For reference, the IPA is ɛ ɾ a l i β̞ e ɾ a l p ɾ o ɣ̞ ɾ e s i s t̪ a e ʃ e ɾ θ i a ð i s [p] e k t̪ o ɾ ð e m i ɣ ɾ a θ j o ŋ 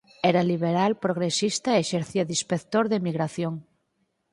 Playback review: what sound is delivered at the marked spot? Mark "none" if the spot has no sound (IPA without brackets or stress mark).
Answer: p